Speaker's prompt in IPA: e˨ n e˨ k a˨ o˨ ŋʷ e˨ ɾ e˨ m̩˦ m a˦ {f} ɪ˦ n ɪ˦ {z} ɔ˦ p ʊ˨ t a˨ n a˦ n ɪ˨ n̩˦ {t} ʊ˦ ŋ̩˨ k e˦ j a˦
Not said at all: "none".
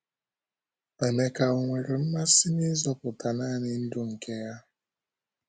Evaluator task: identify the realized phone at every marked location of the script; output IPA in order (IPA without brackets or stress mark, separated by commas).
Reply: s, z, d